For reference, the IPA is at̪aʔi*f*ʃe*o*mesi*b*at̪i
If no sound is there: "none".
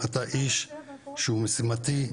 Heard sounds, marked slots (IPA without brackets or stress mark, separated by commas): ʃ, u, m